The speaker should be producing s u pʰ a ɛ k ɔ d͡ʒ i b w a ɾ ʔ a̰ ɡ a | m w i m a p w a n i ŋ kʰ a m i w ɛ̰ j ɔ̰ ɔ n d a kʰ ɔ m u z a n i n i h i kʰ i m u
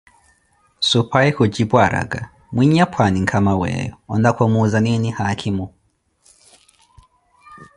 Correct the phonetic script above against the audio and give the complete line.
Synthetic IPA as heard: s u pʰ a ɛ k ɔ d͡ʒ i b w a ɾ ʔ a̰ ɡ a | m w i ɲ a p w a n i ŋ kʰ a m a w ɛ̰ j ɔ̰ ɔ n d a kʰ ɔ m u z a n i n i h a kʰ i m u